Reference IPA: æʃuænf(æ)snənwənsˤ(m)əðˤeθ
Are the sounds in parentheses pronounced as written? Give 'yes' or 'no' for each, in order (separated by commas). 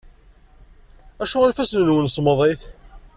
yes, yes